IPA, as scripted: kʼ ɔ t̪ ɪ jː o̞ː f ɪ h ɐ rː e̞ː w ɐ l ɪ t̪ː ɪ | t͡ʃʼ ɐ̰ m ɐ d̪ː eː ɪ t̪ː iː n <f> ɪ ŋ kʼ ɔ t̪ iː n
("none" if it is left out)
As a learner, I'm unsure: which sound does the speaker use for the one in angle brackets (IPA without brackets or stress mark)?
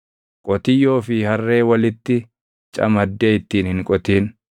h